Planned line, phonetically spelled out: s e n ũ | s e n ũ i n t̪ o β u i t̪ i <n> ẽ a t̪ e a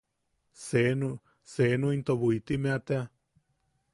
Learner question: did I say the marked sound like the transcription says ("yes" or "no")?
no